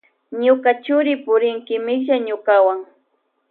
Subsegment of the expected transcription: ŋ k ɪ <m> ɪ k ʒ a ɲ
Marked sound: correct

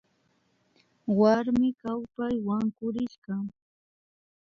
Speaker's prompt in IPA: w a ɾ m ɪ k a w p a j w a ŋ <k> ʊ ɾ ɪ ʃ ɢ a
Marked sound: correct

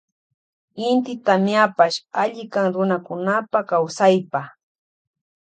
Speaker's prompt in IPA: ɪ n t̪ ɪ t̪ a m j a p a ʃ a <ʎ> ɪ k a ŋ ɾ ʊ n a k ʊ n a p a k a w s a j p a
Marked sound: correct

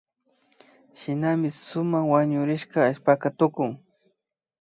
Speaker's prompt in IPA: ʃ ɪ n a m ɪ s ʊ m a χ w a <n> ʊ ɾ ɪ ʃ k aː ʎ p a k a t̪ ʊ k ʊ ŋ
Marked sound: incorrect: ɲ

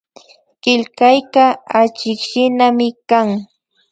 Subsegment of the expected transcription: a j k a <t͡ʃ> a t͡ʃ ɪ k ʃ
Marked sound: incorrect: none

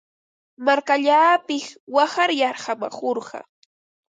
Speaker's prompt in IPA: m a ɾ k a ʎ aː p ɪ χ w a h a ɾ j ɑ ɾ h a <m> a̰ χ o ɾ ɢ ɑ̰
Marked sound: correct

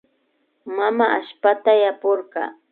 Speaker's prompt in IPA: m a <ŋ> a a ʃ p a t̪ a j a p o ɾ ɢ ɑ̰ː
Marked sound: incorrect: m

